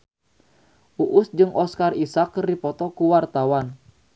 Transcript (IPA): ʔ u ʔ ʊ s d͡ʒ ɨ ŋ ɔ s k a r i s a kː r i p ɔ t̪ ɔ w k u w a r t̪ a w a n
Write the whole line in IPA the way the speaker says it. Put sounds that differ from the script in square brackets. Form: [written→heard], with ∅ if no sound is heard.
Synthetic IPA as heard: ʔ u ʔ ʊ s d͡ʒ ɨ ŋ ɔ s k a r i s a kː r i p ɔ t̪ ɔ [w→∅] k u w a r t̪ a w a n